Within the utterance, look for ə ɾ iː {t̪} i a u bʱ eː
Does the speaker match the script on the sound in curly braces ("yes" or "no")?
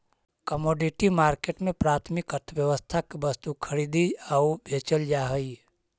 no